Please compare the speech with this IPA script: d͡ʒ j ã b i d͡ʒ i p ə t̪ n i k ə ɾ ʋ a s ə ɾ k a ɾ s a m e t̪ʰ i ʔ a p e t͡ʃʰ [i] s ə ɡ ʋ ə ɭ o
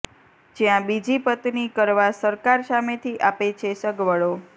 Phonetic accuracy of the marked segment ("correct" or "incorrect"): incorrect